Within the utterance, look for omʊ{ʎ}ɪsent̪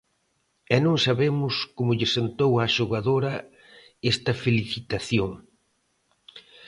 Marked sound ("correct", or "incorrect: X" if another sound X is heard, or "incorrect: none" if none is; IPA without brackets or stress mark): correct